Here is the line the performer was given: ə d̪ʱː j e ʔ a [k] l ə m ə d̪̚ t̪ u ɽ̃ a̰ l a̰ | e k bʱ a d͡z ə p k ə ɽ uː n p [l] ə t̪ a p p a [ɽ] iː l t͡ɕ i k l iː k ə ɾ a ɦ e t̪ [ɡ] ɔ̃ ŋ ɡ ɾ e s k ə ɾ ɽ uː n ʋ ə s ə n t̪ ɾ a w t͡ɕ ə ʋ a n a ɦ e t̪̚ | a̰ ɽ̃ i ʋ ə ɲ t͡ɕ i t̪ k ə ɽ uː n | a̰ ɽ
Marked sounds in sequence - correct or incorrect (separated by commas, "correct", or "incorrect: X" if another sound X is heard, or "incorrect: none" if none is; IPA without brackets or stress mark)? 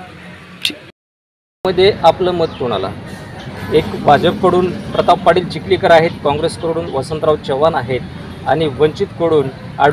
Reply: incorrect: p, incorrect: ɾ, correct, incorrect: k